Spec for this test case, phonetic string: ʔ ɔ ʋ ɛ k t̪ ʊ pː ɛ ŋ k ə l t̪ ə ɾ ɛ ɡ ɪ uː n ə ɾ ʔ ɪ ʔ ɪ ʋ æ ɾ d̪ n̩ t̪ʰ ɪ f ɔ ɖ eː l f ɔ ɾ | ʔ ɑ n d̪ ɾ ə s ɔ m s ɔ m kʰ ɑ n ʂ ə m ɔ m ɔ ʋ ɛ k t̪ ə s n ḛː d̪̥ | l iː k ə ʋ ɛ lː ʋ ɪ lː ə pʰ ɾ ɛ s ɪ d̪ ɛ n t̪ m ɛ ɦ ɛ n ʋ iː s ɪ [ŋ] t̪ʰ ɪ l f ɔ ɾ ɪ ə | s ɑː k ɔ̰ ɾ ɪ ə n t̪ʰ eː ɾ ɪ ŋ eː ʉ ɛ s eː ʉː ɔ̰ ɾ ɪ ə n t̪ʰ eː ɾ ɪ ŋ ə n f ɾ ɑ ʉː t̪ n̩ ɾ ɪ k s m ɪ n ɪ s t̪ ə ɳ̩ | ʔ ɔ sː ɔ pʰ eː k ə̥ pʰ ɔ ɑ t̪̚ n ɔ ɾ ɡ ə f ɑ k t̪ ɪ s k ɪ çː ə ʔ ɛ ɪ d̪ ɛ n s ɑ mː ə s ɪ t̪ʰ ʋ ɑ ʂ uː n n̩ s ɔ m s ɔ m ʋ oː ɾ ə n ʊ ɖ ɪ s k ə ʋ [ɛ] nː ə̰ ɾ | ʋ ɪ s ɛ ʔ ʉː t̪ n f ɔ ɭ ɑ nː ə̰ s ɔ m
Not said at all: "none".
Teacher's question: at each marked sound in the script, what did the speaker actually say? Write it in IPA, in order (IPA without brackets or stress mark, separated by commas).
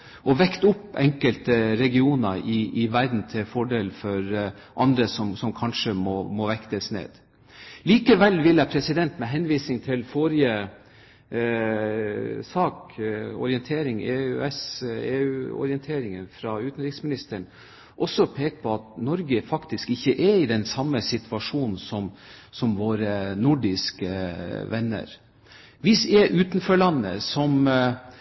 ŋ, ɛ